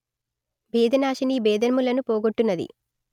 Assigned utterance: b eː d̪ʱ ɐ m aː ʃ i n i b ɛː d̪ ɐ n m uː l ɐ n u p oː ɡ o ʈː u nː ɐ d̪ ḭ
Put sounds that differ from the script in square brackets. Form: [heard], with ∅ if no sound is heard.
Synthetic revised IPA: b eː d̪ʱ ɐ [n] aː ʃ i n i b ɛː d̪ ɐ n m [u] l ɐ n u p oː ɡ o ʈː u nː ɐ d̪ ḭ